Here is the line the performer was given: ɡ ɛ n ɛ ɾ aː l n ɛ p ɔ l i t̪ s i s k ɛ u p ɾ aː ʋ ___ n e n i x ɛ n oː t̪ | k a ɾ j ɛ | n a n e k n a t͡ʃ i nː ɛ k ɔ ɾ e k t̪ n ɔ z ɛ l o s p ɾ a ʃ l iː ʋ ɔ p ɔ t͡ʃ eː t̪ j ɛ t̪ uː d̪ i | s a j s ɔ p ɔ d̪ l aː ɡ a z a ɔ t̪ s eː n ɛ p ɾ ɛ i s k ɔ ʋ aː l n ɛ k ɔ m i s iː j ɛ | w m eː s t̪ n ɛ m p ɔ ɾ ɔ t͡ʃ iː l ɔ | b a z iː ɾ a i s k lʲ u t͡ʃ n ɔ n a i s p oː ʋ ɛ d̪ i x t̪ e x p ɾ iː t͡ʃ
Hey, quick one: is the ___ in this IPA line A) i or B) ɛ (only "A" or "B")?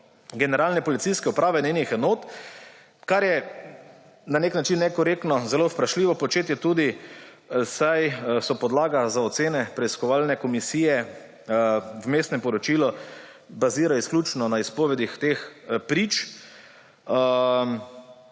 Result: B